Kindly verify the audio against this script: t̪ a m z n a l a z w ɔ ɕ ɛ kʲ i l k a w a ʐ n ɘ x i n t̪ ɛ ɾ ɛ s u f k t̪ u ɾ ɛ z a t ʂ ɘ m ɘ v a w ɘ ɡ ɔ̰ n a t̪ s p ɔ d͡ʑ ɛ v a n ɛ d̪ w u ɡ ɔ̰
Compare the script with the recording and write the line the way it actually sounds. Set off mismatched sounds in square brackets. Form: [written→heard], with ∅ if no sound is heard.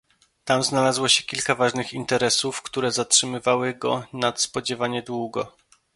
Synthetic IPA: t̪ a m z n a l a z w ɔ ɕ ɛ kʲ i l k a [w→v] a ʐ n ɘ x i n t̪ ɛ ɾ ɛ s u f k t̪ u ɾ ɛ z a t ʂ ɘ m ɘ v a w ɘ ɡ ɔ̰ n a t̪ s p ɔ d͡ʑ ɛ v a [n→ɲ] ɛ d̪ w u ɡ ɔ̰